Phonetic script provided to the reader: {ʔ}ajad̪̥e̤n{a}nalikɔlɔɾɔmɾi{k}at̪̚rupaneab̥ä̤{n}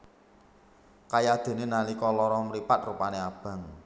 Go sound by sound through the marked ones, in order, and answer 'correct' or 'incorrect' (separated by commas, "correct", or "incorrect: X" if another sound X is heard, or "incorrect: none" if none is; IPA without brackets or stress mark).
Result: incorrect: k, incorrect: e, incorrect: p, incorrect: ŋ